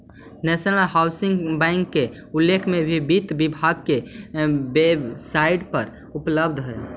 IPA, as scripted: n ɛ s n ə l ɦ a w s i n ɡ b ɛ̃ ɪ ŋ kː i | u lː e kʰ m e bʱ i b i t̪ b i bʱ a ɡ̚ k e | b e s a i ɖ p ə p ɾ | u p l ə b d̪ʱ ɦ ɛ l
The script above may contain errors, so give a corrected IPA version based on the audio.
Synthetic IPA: n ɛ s n ə l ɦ a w s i ŋ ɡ b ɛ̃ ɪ ŋ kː e | u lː e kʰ m e bʱ i b i t̪ b i bʱ a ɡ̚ k e | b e s a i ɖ p ə ɾ | u p l ə b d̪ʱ ɦ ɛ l